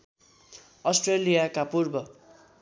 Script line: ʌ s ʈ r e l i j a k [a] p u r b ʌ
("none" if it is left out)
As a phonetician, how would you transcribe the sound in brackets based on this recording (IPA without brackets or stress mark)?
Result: a